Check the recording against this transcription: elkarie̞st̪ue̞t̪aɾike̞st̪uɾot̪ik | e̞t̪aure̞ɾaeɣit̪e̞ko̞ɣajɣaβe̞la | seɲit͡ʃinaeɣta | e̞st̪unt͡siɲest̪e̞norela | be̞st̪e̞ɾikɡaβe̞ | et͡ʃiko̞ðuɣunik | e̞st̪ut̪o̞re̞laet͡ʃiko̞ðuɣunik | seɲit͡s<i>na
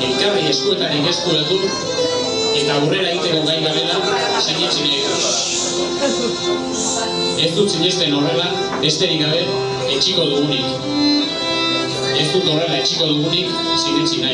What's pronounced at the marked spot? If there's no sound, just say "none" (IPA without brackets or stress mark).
i